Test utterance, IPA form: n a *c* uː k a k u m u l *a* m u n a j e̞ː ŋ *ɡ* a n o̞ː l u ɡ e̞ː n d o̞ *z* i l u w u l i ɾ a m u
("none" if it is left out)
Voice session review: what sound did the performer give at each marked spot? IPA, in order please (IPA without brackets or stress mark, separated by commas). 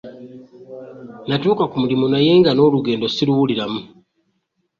t, i, ɡ, s